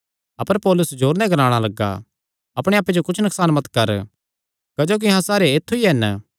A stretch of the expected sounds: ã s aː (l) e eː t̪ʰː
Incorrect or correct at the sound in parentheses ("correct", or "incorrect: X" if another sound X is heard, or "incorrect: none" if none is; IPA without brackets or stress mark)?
incorrect: ɾ